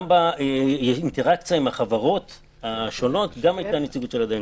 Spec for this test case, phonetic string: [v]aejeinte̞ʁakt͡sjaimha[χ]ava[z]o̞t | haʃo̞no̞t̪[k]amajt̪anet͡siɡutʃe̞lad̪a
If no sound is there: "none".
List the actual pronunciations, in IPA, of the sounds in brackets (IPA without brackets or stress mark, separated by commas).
b, χ, ʁ, ɡ